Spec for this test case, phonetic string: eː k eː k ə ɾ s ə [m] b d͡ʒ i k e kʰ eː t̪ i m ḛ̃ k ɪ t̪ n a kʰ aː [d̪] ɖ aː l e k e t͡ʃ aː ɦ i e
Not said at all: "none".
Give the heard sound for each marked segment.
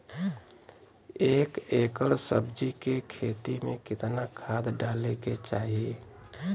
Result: none, d̪

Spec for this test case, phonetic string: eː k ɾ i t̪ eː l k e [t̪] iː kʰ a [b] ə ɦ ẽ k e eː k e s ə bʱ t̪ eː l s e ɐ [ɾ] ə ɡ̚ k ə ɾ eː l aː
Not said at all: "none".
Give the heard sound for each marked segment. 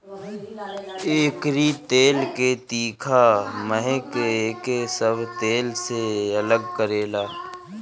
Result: t̪, m, l

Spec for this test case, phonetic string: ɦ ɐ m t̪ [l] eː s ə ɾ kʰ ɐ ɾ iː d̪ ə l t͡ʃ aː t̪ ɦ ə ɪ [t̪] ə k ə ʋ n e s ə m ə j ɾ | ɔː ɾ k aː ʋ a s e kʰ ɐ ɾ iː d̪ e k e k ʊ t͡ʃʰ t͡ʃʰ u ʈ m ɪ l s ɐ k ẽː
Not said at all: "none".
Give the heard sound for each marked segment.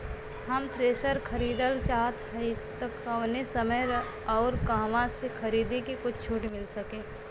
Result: ɾ, t̪

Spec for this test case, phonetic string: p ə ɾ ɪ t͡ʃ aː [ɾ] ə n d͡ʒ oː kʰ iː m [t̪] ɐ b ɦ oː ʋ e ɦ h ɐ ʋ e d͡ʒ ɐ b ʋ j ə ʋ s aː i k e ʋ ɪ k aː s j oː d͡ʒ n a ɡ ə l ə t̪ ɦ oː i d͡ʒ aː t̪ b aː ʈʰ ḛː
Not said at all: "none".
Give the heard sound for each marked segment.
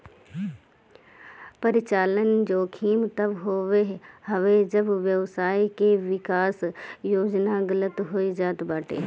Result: l, t̪

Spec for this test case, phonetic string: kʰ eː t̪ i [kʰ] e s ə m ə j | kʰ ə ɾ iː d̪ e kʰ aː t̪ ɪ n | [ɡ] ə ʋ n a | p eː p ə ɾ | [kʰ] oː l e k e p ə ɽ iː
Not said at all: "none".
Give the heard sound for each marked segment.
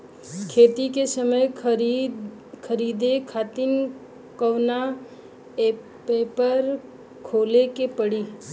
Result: k, k, kʰ

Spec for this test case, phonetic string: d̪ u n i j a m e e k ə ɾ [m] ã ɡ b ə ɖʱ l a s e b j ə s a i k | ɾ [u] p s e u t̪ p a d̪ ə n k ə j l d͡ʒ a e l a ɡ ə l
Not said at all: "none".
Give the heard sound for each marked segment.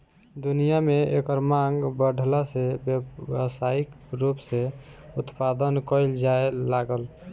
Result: m, u

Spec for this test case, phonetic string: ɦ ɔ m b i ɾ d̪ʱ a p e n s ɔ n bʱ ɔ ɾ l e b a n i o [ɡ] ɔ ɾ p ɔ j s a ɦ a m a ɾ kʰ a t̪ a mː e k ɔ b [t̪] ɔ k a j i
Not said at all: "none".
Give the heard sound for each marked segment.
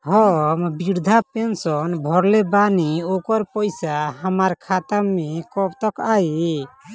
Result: k, t̪

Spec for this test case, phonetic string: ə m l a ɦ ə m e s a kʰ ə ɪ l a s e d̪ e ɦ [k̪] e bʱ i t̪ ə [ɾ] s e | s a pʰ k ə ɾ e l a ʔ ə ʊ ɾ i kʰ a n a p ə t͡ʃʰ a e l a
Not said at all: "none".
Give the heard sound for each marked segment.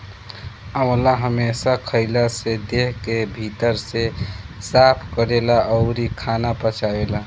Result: k̪, ɾ

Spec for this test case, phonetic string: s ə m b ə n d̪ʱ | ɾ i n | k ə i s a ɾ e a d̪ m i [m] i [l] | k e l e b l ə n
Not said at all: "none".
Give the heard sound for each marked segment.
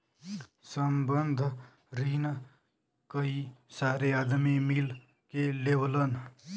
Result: m, l

